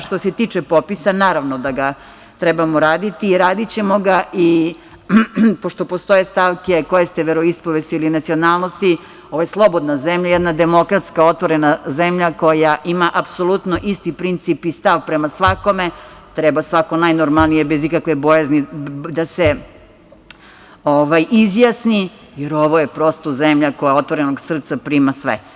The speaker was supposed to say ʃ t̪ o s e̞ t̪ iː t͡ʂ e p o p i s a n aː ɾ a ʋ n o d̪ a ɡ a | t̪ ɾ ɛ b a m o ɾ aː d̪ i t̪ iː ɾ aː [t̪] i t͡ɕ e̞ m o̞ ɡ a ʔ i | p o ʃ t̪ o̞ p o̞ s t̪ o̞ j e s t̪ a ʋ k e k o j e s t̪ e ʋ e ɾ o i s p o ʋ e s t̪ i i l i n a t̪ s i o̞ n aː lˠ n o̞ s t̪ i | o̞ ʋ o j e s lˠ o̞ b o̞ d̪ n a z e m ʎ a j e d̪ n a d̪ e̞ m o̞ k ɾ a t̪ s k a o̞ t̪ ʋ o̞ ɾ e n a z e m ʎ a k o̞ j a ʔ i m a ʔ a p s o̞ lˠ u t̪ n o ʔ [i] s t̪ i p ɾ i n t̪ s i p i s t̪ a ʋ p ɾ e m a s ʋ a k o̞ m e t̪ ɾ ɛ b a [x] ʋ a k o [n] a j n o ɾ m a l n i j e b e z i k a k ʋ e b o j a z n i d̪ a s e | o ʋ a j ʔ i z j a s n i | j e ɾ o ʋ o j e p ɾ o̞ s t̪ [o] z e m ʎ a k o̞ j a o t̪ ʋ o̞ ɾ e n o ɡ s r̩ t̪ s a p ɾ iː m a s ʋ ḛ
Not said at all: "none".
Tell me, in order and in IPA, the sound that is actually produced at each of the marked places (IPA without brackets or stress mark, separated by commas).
d̪, i, s, n, o